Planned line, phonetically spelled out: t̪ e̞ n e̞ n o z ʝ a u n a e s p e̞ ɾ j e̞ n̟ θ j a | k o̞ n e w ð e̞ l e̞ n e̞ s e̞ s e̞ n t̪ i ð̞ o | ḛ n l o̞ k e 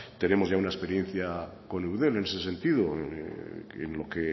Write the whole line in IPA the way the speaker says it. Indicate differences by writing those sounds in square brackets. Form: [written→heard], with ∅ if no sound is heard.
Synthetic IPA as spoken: t̪ e̞ n e̞ [n→m] o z ʝ a u n a e s p e̞ ɾ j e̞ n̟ θ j a | k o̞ n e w ð e̞ l e̞ n e̞ s e̞ s e̞ n t̪ i ð̞ o | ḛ n l o̞ k e